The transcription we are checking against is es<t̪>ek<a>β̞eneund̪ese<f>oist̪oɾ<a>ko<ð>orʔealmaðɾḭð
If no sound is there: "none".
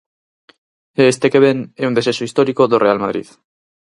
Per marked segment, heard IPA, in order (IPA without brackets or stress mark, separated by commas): t̪, e, s, i, ð